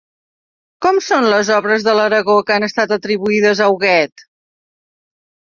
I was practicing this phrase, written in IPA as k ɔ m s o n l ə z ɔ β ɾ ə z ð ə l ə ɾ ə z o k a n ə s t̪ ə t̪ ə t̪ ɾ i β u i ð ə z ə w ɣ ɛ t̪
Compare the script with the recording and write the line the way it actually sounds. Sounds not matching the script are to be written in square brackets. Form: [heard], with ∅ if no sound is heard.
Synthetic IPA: k ɔ m s o n l ə z ɔ β ɾ ə z ð ə l ə ɾ ə [ɣ] o k a n ə s t̪ [a] t̪ ə t̪ ɾ i β u i ð ə z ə w ɣ ɛ t̪